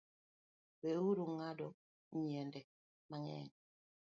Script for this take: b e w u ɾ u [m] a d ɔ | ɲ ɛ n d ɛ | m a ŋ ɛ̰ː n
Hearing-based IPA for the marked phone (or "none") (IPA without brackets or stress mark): ŋ